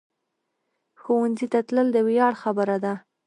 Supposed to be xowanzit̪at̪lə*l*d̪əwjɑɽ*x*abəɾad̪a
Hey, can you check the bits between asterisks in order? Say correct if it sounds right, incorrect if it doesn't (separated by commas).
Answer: correct, correct